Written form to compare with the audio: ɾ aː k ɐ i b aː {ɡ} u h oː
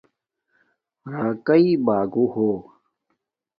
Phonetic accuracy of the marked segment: correct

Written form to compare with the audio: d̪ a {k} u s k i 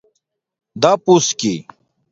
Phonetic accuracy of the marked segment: incorrect: p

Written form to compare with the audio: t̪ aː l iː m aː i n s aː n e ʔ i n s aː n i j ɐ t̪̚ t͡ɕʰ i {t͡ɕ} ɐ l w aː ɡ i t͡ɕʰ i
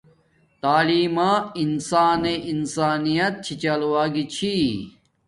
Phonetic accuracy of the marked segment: correct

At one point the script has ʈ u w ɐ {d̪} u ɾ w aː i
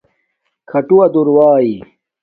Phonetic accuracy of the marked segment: correct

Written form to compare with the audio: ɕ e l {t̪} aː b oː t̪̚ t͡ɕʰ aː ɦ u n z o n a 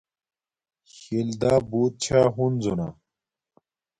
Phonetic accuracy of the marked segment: incorrect: d̪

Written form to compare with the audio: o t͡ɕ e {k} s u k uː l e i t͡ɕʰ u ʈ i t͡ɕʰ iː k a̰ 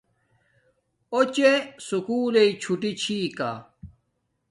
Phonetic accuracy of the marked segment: incorrect: none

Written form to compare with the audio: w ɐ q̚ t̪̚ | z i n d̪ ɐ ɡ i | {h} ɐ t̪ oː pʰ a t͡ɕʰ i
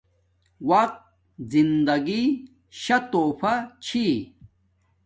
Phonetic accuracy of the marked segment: incorrect: ɕ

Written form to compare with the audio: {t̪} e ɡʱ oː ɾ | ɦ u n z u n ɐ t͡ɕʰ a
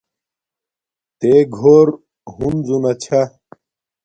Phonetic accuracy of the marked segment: correct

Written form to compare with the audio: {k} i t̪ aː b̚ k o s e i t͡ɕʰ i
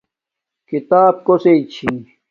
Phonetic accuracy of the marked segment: correct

